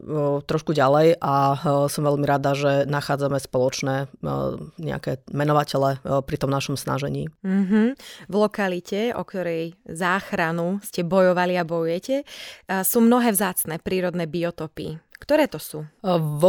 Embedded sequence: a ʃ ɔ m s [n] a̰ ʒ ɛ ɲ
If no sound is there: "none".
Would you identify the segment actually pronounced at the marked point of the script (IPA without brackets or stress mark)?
n